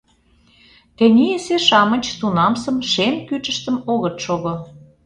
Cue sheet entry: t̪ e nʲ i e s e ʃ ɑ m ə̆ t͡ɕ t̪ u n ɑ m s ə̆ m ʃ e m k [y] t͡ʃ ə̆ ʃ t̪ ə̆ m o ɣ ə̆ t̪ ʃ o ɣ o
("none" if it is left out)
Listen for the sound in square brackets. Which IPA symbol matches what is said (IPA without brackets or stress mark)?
y